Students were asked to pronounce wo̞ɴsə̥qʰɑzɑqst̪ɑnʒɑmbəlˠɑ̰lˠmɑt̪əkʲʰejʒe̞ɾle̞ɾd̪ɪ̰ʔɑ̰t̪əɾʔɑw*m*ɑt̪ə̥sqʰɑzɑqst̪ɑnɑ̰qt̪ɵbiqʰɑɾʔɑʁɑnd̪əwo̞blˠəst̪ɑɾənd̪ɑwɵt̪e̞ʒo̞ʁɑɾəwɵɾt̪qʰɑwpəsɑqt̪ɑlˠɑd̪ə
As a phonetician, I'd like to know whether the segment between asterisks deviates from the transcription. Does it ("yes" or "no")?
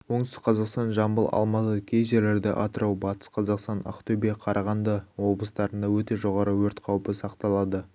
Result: yes